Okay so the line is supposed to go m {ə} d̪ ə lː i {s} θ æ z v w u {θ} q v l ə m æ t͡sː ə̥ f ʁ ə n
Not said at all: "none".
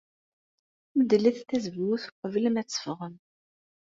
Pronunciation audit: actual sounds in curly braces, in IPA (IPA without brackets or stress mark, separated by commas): ə, θ, θ